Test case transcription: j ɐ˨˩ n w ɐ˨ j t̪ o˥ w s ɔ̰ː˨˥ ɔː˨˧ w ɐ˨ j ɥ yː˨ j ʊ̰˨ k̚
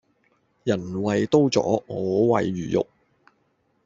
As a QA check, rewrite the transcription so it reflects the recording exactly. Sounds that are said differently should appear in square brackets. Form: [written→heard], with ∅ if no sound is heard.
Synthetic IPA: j ɐ˨˩ n w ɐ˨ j t̪ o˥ w [s→t͡s] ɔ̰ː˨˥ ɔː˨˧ w ɐ˨ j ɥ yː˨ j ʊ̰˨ k̚